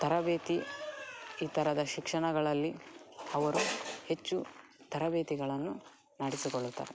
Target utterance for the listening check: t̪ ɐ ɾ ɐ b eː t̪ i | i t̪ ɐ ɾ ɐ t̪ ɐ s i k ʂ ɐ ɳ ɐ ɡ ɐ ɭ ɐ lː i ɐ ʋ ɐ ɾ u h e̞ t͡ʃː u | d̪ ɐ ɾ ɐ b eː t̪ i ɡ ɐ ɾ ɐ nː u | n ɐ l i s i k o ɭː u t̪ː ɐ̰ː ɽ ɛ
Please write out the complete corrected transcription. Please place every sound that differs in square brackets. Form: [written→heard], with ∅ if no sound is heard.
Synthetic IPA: t̪ ɐ ɾ ɐ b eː t̪ i | [i→iː] t̪ ɐ ɾ ɐ [t̪→d̪] ɐ [s→ʃ] i k ʂ ɐ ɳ ɐ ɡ ɐ ɭ ɐ lː i ɐ ʋ ɐ ɾ u h e̞ t͡ʃː u | [d̪→t̪] ɐ ɾ ɐ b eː t̪ i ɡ ɐ [ɾ→ɭ] ɐ nː u | n ɐ [l→ɽ] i s i k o ɭː u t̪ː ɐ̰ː [ɽ→ɾ] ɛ